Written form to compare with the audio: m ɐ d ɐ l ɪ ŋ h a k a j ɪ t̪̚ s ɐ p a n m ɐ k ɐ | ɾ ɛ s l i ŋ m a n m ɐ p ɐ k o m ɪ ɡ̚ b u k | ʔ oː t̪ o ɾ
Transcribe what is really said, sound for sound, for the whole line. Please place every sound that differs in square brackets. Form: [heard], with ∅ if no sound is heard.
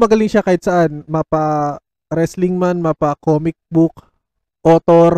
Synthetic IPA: m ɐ [ɡ] ɐ l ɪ ŋ [ʃ] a k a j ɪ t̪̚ s ɐ [ʔ] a n m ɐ [p] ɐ | ɾ ɛ s l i ŋ m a n m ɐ p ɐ k o m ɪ [k̚] b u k | ʔ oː t̪ o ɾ